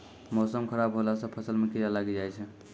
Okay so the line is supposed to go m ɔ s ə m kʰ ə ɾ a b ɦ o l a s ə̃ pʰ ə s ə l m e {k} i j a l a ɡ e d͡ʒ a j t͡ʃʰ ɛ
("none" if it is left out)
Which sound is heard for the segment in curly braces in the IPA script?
k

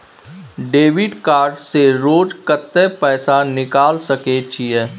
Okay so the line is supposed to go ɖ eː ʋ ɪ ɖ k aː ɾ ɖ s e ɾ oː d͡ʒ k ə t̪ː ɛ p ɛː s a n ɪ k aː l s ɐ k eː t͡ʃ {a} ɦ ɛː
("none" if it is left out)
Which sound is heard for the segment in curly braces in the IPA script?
i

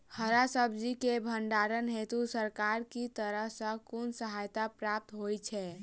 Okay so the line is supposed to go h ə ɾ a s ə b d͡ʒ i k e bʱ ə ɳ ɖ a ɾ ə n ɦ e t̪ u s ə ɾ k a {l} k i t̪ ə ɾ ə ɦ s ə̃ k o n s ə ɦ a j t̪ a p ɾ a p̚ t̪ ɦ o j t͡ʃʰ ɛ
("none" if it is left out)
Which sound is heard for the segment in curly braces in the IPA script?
ɾ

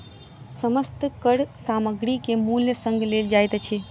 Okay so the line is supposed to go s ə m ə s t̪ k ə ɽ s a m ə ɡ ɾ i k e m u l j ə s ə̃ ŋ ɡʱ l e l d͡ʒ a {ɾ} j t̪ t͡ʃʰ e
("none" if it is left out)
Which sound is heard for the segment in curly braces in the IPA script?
none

